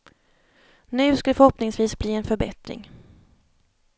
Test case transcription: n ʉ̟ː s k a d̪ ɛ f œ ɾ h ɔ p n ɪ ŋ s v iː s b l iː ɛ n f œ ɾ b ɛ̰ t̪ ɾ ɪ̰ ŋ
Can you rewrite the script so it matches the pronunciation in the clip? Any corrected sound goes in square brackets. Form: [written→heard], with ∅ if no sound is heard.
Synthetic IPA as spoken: n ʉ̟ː s k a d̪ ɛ f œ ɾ h ɔ p n ɪ ŋ s v iː s b l iː ɛ n f œ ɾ b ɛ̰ t̪ ɾ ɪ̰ ŋ